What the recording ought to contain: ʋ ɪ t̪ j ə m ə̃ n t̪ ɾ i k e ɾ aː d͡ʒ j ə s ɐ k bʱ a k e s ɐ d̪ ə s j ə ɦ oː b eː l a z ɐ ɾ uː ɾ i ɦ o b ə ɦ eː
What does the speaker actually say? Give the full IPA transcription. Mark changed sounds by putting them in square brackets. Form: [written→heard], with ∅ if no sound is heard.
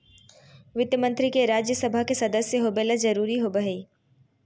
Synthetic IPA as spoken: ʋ ɪ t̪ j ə m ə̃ n t̪ ɾ i k e ɾ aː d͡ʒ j ə s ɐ [k→∅] bʱ a k e s ɐ d̪ ə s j ə ɦ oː b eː l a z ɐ ɾ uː ɾ i ɦ o b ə ɦ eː